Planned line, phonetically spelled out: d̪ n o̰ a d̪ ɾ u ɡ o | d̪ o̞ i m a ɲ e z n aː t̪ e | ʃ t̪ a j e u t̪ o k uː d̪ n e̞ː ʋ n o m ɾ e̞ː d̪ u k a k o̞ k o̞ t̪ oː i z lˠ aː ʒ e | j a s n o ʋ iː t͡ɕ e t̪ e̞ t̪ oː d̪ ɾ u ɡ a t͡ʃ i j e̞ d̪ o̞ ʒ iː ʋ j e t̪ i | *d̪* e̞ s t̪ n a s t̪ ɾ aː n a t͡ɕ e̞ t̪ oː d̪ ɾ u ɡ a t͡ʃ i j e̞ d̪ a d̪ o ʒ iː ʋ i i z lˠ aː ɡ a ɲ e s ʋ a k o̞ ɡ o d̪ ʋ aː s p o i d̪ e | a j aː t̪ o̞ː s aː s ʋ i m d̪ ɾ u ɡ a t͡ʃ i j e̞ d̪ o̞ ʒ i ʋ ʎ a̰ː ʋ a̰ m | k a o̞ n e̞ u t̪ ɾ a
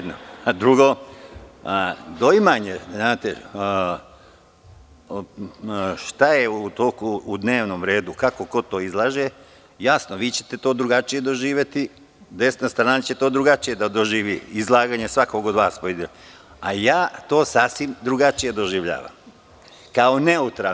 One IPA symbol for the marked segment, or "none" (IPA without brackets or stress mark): d̪